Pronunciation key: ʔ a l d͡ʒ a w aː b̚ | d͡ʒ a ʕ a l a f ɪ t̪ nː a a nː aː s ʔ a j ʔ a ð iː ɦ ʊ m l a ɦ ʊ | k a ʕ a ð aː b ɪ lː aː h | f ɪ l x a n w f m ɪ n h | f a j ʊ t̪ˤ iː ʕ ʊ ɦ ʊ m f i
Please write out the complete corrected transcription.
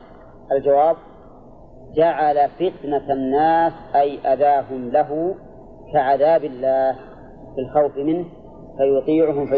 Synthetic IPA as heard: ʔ a l d͡ʒ a w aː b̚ | d͡ʒ a ʕ a l a f ɪ t̪ n a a nː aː s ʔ a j ʔ a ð aː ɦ ʊ m l a ɦ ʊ | k a ʕ a ð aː b ɪ lː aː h | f ɪ l x a w f m ɪ n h | f a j ʊ t̪ˤ iː ʕ ʊ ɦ ʊ m f a